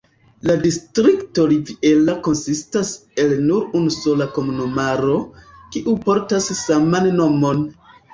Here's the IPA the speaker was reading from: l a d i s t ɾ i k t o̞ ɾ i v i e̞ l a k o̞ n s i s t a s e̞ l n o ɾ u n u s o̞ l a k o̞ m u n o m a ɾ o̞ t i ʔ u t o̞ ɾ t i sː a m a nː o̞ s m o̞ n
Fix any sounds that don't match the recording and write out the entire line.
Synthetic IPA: l a d i s t ɾ i k t o̞ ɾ i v i e̞ l a k o̞ n s i s t a s e̞ l n u ɾ u n u s o̞ l a k o̞ m u n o m a ɾ o̞ k i ʔ u p o̞ ɾ t a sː a m a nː o̞ m o̞ n